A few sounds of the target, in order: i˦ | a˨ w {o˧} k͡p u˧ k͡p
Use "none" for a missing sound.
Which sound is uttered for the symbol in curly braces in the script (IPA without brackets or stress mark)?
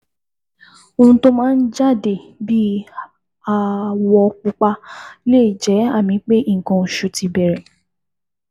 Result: ɔ˧